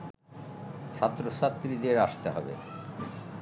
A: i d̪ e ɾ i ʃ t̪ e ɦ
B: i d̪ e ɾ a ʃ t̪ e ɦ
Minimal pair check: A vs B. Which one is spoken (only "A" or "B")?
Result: B